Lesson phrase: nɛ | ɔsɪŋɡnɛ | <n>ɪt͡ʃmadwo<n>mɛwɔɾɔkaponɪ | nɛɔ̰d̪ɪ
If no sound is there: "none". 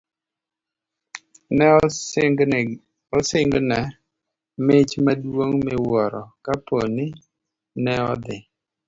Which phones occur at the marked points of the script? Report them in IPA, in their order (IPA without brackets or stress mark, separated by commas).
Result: m, ŋ